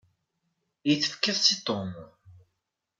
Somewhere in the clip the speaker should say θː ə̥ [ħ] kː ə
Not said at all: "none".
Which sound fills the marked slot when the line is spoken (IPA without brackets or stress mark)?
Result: f